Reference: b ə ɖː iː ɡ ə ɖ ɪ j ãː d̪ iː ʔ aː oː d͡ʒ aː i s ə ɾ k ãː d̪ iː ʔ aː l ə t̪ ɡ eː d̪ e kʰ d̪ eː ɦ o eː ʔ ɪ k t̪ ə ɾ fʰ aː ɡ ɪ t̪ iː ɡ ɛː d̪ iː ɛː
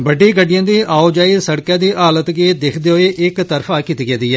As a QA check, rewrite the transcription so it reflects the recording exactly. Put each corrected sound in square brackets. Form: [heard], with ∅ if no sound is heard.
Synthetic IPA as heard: b ə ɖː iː ɡ ə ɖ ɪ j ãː d̪ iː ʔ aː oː d͡ʒ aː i s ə [ɽ] k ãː d̪ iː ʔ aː l ə t̪ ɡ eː d̪ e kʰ d̪ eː ɦ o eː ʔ ɪ k t̪ ə ɾ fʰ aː [k] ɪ t̪ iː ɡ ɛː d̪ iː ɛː